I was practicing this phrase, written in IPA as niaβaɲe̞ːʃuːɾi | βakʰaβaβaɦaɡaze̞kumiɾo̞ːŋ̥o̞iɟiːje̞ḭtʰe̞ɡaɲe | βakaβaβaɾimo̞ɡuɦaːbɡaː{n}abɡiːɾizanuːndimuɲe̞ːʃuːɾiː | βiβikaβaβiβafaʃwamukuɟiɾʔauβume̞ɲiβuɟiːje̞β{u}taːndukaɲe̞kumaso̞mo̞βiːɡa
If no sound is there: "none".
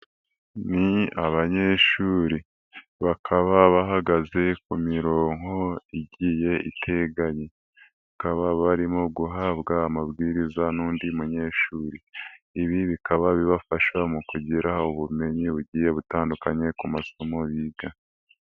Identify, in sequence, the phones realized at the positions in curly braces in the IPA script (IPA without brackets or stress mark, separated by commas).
m, u